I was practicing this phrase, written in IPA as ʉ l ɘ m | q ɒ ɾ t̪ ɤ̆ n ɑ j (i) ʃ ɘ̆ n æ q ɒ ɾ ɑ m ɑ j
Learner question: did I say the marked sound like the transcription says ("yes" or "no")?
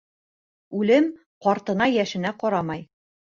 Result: no